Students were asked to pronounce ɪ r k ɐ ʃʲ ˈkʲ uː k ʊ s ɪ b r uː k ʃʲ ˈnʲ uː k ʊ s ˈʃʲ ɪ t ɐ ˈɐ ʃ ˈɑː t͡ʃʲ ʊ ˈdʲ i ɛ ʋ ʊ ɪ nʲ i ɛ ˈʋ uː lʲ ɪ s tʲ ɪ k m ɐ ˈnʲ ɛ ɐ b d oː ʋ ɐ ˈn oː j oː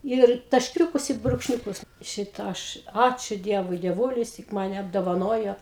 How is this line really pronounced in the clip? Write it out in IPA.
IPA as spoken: ɪ r t ɐ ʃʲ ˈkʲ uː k ʊ s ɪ b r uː k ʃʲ ˈnʲ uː k ʊ s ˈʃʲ ɪ t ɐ ˈɐ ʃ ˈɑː t͡ʃʲ ʊ ˈdʲ i ɛ ʋ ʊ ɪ dʲ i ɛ ˈʋ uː lʲ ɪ s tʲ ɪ k m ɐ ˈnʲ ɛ ɐ b d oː ʋ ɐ ˈn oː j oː